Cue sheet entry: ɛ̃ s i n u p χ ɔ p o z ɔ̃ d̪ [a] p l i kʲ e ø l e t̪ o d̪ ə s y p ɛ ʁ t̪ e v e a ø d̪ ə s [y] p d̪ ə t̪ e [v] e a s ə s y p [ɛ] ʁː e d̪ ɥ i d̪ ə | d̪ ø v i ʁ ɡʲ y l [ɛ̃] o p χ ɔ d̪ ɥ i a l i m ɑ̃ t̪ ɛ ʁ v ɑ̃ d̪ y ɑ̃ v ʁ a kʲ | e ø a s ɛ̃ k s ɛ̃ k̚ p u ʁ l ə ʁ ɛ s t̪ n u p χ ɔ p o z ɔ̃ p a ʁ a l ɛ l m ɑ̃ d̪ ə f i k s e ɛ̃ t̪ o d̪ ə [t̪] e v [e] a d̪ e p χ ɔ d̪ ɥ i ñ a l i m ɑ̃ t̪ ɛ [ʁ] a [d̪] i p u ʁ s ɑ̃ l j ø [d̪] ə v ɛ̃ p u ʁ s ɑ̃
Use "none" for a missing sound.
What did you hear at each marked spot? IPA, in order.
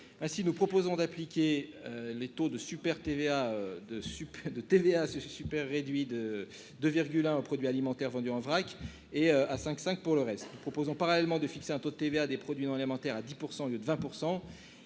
a, y, v, ɛ, ɛ̃, t̪, e, ʁ, d̪, d̪

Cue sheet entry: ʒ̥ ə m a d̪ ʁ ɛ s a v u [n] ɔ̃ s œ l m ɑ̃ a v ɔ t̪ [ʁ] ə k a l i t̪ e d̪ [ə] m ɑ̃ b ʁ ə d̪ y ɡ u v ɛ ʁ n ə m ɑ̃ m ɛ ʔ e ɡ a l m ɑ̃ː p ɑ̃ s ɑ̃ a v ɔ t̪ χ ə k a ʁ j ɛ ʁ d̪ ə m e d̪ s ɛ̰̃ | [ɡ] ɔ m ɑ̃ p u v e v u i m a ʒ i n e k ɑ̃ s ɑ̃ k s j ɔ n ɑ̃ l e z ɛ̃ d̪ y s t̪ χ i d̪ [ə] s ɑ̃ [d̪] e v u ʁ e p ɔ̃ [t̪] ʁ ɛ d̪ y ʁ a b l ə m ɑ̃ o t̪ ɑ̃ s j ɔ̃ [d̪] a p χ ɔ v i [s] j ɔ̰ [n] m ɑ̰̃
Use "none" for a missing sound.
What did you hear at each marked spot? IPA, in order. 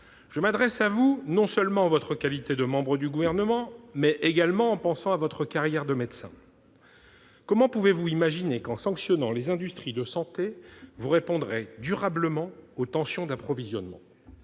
n, χ, ə, k, ə, t̪, d̪, d̪, z, n

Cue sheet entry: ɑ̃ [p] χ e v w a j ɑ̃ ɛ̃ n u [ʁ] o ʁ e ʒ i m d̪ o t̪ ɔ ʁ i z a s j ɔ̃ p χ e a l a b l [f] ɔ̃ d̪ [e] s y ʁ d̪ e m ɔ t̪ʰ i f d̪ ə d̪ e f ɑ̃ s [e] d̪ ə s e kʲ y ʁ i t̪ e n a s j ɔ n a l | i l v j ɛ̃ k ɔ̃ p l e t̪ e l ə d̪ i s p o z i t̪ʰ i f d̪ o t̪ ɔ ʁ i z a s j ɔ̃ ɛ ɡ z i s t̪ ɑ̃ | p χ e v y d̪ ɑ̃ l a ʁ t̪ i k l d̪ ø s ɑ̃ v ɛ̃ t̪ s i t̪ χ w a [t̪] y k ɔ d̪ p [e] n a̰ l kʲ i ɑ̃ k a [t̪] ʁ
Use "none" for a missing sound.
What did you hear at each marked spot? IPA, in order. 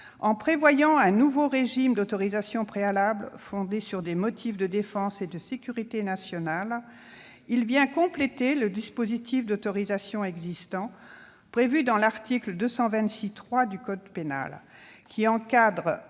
p, v, f, e, e, d̪, e, d̪

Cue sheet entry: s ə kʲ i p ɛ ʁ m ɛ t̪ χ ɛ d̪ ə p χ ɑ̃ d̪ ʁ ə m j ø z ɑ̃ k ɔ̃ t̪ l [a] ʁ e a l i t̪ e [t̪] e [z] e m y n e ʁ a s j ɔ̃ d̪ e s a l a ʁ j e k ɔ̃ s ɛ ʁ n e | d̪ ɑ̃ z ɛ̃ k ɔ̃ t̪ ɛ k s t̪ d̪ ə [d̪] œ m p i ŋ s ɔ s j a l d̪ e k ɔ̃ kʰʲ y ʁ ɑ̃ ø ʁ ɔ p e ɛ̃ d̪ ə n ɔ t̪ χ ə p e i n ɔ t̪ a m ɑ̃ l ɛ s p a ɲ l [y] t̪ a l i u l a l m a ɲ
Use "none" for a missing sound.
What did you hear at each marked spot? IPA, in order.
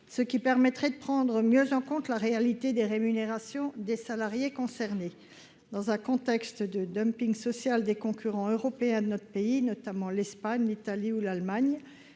a, d̪, ʁ, d̪, i

